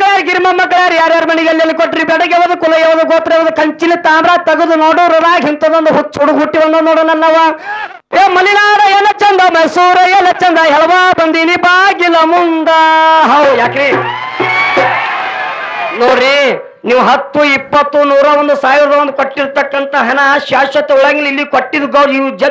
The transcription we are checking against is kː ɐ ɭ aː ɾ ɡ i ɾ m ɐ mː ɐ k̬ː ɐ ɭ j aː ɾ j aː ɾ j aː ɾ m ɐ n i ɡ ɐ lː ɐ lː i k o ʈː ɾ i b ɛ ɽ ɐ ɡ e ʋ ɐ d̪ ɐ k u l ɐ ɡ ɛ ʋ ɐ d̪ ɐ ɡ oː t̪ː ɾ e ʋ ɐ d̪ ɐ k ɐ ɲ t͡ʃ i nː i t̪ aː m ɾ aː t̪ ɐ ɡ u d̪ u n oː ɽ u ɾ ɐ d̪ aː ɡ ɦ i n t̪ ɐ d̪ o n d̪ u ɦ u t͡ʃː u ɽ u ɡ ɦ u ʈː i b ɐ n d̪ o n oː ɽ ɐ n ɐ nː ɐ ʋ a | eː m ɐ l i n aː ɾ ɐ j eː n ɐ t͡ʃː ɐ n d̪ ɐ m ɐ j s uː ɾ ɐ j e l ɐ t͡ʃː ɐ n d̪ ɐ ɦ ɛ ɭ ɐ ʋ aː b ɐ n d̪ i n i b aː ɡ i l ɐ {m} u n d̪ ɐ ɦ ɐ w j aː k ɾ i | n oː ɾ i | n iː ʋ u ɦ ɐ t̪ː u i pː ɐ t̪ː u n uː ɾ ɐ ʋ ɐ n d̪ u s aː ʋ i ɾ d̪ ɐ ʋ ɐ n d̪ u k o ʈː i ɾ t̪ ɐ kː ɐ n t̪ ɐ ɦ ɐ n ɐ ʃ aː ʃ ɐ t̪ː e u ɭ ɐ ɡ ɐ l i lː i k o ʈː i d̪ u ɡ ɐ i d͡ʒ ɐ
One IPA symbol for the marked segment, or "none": m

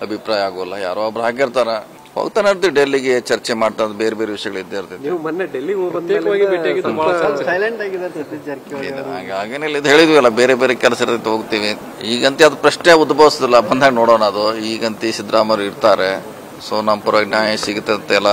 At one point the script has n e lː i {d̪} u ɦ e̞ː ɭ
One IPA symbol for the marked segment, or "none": d̪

